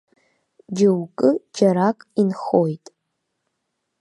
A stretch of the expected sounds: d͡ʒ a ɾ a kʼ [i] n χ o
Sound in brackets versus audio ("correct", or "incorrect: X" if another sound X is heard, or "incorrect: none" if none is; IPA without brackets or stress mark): correct